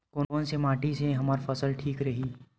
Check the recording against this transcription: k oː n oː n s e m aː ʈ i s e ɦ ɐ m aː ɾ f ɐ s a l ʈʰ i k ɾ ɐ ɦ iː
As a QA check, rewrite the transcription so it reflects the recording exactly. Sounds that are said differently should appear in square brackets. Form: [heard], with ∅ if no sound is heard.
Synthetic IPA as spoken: k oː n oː n s e m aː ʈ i s e ɦ ɐ m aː ɾ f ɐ s [ə] l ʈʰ [iː] k ɾ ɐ ɦ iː